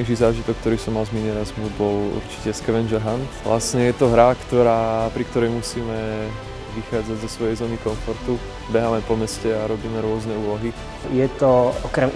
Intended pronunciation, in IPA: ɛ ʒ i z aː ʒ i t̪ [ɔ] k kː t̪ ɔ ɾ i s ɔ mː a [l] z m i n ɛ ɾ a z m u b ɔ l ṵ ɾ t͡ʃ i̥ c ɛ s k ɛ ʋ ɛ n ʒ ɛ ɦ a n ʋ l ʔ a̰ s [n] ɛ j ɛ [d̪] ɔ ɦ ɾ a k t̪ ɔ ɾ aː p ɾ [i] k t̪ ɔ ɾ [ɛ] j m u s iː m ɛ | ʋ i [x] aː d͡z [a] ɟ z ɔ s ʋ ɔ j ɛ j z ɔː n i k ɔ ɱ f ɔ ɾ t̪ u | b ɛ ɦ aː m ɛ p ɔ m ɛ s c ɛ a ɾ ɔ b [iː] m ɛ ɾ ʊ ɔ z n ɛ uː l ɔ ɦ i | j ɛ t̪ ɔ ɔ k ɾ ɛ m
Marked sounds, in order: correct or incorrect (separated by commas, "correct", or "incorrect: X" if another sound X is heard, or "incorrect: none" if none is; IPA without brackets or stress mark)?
correct, correct, incorrect: ɲ, incorrect: t̪, correct, correct, correct, correct, correct